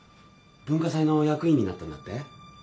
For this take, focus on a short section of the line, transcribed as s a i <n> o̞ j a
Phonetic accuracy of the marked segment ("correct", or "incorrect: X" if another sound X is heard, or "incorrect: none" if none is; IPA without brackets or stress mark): correct